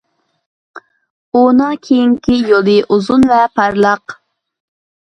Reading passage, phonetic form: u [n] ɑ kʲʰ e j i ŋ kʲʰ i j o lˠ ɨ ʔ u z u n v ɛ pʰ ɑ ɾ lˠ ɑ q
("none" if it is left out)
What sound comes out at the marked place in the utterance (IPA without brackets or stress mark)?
n